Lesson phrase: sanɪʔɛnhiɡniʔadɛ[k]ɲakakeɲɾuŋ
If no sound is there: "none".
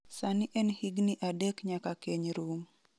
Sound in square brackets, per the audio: k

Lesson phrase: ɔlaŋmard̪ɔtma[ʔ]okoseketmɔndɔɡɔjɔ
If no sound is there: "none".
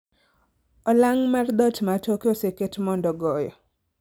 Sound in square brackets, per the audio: t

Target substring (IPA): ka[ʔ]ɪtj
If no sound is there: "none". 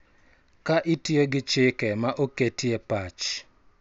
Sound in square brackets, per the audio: ʔ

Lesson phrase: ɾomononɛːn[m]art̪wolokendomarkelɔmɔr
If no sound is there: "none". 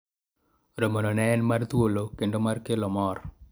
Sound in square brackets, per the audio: m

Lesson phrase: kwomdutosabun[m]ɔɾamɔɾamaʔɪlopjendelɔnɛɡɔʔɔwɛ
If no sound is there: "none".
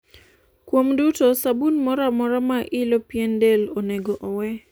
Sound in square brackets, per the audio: m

